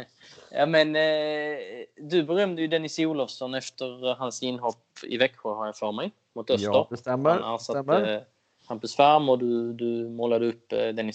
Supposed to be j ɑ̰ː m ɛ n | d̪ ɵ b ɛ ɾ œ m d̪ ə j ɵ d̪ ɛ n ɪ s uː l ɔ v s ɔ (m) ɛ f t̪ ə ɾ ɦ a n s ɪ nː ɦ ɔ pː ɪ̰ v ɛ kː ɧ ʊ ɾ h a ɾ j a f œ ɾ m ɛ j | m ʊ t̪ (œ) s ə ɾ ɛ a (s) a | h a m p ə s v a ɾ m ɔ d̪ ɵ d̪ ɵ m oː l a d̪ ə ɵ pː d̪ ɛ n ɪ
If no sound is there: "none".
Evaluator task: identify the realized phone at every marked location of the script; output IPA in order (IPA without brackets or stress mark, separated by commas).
n, œ, s